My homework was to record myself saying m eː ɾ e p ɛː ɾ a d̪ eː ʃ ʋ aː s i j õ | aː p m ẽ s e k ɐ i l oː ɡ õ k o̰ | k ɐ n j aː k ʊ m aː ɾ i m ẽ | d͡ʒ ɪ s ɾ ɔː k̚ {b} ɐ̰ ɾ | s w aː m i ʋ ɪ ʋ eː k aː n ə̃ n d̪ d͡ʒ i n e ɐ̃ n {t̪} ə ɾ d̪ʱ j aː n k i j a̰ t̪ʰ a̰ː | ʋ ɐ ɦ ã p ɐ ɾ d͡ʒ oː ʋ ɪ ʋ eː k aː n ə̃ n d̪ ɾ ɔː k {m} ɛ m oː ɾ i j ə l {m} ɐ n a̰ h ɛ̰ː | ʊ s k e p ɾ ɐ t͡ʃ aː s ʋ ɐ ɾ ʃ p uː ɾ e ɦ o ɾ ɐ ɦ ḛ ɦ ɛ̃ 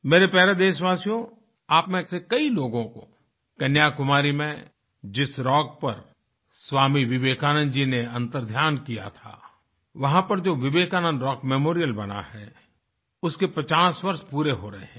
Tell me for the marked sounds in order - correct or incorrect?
incorrect: p, correct, correct, incorrect: b

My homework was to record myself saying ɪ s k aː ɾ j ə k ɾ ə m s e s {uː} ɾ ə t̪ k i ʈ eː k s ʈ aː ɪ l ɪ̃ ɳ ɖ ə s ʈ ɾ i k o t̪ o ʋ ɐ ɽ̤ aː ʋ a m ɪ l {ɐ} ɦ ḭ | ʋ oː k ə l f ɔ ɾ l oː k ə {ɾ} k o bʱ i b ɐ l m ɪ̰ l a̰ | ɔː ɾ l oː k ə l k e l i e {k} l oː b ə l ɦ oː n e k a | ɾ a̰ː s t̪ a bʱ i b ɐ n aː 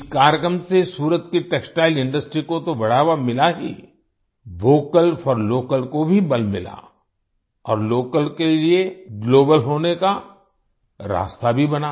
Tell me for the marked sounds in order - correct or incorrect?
correct, incorrect: a, incorrect: l, incorrect: ɡ

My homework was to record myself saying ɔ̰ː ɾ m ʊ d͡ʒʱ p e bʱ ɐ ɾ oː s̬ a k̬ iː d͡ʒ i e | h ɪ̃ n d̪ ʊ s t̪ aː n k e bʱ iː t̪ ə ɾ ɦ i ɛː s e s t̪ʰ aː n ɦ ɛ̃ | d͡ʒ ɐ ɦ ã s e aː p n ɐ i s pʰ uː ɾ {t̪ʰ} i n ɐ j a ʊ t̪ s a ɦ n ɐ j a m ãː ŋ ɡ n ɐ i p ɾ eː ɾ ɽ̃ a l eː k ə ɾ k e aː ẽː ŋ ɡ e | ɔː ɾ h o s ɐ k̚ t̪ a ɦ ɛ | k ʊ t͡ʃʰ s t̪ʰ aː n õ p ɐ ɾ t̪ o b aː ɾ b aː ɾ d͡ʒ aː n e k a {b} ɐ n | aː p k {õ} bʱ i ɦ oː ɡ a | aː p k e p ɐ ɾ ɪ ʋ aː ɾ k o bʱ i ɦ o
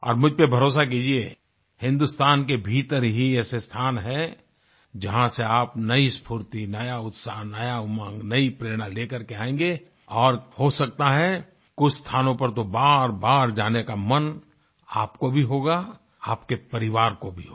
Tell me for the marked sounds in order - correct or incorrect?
incorrect: t̪, incorrect: m, incorrect: o

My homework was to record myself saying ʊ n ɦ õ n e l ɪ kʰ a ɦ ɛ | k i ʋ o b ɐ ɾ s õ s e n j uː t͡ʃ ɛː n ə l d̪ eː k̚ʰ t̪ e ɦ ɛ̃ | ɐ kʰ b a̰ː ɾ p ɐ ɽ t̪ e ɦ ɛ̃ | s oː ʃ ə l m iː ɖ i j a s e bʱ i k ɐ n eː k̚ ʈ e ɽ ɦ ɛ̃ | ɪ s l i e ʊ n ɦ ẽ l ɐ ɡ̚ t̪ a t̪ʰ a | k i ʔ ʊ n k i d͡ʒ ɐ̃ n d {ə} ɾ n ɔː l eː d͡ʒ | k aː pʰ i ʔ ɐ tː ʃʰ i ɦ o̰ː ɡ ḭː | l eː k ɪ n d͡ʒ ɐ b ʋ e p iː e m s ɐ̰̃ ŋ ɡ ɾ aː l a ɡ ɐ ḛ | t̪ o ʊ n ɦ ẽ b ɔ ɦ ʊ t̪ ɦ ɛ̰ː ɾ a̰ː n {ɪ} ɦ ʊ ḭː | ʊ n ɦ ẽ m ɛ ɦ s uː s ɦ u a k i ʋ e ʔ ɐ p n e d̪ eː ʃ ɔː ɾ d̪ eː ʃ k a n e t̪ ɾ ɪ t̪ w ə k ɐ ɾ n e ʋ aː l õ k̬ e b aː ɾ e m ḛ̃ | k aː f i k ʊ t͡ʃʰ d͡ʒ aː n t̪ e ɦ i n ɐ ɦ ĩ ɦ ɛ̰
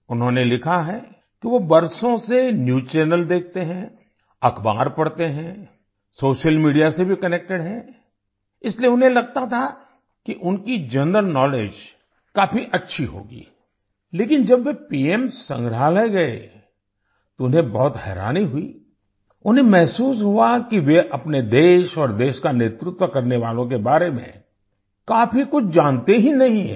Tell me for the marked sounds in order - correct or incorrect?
correct, incorrect: i

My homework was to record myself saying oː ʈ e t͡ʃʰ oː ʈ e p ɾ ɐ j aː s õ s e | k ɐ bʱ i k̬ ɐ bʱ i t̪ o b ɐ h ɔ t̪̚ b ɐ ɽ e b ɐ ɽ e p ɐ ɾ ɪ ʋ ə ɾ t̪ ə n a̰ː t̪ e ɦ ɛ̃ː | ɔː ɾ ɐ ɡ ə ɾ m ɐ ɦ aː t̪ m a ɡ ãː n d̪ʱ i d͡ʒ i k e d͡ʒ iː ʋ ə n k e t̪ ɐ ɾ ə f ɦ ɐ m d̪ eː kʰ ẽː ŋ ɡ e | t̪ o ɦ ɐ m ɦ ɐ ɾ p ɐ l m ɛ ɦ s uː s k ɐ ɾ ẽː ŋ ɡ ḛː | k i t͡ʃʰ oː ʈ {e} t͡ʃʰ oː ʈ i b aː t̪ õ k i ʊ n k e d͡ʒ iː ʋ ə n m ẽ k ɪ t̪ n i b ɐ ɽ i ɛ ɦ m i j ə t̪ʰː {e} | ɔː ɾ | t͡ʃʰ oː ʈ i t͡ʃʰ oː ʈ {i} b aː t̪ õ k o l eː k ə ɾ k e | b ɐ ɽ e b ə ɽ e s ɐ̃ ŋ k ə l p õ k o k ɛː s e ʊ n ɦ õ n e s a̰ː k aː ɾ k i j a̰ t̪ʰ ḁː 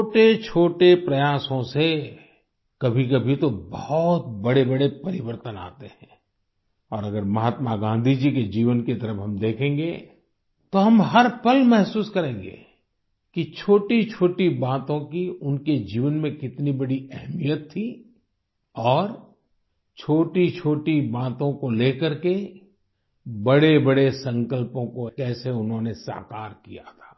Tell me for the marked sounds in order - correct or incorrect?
incorrect: i, incorrect: i, correct

